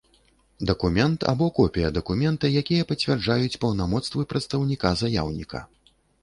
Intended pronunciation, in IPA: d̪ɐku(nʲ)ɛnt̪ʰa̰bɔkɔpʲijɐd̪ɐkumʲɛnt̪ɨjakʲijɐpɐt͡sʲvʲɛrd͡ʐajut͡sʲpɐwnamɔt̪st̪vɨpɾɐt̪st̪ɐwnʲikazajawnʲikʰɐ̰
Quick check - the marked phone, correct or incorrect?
incorrect